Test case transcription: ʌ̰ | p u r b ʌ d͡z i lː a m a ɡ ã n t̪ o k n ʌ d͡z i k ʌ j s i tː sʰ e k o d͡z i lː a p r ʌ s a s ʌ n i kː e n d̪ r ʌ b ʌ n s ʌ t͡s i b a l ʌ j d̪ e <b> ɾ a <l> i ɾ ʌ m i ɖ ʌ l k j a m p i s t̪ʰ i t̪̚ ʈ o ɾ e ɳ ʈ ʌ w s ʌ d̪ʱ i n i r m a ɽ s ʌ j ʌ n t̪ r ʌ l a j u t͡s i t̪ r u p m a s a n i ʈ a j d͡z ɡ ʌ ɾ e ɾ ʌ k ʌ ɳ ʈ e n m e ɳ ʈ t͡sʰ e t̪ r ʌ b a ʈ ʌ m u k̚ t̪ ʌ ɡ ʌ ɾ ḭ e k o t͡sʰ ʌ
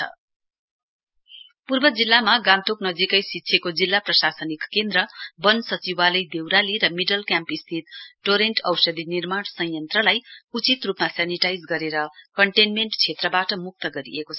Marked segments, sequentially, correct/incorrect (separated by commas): incorrect, correct